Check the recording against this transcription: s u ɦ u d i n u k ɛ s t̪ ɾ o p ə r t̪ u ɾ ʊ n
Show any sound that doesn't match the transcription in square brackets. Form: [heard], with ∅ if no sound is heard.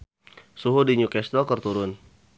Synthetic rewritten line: s u ɦ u d i [ɲ] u k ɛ s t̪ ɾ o [k] ə r t̪ u ɾ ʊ n